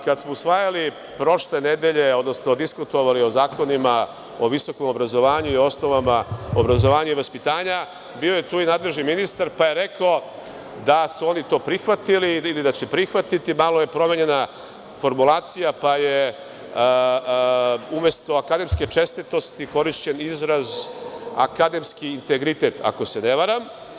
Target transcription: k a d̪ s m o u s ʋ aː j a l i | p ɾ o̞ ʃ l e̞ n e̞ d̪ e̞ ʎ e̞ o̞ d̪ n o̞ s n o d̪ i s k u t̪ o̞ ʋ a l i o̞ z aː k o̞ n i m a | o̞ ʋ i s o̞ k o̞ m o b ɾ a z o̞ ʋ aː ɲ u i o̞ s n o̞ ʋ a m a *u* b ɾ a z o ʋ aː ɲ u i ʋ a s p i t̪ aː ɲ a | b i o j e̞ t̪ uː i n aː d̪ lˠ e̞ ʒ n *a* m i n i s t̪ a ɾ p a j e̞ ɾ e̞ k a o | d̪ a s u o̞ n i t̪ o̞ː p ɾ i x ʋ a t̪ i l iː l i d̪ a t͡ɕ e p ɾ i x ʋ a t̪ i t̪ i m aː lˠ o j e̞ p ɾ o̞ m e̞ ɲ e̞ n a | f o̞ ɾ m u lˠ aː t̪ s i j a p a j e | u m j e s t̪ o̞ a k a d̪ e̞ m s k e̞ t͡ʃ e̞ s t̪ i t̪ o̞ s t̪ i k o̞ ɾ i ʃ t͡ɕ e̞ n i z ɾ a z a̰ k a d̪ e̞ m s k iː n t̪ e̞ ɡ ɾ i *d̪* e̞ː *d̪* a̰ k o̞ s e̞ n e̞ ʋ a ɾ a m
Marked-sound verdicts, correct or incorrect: incorrect: o, incorrect: i, incorrect: t̪, incorrect: t̪

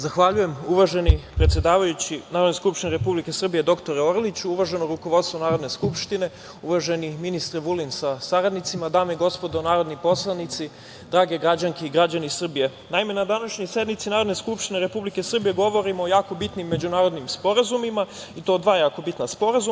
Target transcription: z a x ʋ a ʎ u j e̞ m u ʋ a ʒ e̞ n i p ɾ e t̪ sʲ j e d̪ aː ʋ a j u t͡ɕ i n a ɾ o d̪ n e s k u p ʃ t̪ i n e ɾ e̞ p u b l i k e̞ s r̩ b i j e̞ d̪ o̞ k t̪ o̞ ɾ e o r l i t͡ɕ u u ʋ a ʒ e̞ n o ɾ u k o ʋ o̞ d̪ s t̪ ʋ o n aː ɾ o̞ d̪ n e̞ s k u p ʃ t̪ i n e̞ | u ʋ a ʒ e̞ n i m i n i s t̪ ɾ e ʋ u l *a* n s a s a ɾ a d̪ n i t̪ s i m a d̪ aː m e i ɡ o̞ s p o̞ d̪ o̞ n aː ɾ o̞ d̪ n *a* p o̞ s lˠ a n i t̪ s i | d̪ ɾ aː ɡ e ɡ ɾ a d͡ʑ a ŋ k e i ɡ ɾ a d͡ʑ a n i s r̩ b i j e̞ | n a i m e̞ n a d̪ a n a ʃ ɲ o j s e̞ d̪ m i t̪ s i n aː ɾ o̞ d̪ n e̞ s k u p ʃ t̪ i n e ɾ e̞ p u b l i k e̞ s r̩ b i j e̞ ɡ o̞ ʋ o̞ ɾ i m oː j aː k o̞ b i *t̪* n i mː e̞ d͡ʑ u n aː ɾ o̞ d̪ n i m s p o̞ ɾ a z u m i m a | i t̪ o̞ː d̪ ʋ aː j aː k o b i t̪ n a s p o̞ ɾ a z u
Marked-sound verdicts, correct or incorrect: incorrect: i, incorrect: i, correct

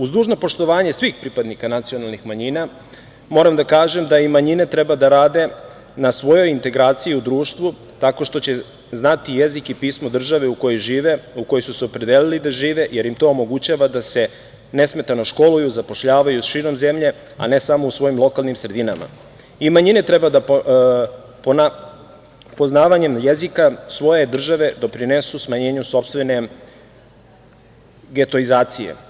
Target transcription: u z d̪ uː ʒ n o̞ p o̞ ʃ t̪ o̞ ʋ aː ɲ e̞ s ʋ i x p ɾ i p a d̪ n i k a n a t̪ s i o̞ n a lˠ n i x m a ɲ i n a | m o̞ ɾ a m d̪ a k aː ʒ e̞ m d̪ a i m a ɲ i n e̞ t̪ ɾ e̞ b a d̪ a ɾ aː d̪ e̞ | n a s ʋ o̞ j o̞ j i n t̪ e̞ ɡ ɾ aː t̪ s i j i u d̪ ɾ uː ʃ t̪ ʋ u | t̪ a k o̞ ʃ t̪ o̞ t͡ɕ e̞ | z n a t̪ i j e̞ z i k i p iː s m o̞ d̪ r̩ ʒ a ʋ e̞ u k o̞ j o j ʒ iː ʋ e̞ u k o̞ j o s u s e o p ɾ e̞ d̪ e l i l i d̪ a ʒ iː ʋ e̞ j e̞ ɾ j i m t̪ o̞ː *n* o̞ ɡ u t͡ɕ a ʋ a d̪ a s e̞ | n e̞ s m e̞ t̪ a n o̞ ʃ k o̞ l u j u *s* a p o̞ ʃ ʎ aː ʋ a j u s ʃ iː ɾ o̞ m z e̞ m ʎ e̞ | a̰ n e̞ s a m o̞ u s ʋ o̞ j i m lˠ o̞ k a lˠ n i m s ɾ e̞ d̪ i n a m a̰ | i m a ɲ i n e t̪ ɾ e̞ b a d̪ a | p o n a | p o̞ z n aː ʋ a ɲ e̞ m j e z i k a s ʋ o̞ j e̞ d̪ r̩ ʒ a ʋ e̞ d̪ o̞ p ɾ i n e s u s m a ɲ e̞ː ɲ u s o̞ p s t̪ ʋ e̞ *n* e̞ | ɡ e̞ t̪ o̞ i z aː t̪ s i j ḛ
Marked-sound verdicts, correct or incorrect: incorrect: m, incorrect: z, correct

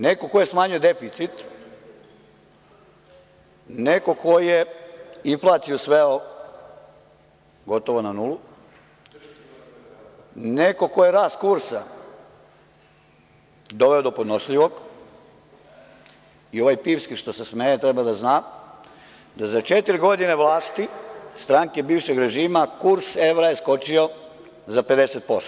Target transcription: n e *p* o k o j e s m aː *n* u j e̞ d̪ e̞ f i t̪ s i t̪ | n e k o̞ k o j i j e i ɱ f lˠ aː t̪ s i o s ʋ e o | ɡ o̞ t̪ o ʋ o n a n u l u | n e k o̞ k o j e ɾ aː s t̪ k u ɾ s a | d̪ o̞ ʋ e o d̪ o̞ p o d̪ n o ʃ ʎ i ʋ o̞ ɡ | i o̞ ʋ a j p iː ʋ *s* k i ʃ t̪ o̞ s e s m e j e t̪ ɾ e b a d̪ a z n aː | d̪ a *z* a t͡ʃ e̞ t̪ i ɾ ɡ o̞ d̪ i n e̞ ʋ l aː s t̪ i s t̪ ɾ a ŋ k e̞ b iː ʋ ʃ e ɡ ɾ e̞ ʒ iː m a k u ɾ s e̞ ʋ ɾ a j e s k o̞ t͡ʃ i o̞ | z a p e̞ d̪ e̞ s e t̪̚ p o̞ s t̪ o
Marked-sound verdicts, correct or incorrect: incorrect: k, incorrect: ɲ, correct, correct

